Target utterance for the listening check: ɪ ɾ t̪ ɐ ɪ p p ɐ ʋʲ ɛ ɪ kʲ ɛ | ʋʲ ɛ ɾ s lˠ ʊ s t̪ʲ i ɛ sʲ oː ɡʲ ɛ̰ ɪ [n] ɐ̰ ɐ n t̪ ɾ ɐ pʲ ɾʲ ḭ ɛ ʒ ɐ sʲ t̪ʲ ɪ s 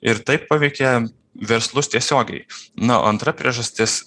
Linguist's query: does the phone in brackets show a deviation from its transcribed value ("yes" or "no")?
no